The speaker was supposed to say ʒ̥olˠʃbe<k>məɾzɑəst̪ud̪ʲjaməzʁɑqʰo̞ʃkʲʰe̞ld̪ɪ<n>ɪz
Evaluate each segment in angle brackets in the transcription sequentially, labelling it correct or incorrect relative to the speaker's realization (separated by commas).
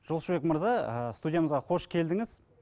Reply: correct, incorrect